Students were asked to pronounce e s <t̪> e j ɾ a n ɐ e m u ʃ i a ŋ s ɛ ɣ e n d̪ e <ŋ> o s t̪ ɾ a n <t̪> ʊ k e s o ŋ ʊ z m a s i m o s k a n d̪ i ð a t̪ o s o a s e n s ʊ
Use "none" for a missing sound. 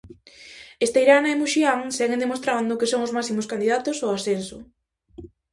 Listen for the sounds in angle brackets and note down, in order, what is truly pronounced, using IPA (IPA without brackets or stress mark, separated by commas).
t̪, m, d̪